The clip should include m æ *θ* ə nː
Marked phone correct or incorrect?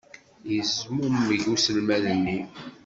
incorrect